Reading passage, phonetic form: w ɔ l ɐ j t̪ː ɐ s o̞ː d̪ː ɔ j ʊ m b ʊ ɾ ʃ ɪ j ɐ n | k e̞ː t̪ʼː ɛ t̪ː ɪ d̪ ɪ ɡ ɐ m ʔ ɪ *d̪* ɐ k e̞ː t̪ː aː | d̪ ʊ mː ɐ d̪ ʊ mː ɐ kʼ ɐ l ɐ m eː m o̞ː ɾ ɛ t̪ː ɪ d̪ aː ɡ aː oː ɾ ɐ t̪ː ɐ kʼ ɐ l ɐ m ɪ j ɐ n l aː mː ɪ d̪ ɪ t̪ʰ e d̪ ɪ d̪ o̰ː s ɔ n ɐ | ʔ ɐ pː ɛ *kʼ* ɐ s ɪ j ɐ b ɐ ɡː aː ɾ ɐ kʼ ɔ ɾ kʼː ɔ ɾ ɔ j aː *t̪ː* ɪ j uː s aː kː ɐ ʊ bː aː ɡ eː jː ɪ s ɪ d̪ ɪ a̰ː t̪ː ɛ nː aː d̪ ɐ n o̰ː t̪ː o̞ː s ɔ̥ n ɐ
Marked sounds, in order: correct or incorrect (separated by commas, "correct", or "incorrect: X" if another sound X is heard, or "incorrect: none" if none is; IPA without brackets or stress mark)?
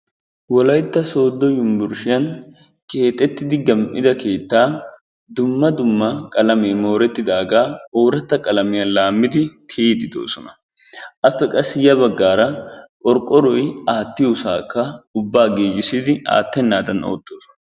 correct, correct, correct